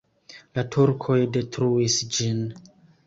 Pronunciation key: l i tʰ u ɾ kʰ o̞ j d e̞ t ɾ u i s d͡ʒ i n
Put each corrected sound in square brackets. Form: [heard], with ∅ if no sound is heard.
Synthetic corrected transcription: l [a] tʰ u ɾ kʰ o̞ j d e̞ t ɾ u i s d͡ʒ i n